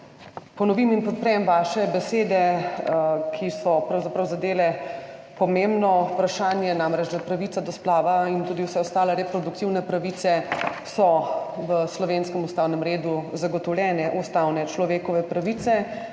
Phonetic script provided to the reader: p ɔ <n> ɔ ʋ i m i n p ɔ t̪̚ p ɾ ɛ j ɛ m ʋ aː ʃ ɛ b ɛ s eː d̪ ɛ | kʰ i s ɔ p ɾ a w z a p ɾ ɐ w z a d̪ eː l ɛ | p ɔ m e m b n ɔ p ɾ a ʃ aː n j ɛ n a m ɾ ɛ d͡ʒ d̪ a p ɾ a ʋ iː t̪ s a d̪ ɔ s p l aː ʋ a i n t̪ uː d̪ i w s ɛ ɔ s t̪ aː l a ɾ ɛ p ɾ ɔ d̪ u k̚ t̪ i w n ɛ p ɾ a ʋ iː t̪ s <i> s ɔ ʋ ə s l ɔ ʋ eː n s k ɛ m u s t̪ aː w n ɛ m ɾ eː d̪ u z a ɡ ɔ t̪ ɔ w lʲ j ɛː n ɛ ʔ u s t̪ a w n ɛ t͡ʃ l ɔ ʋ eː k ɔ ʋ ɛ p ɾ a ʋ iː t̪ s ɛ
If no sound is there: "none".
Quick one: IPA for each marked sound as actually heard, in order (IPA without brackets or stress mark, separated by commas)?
n, ɛ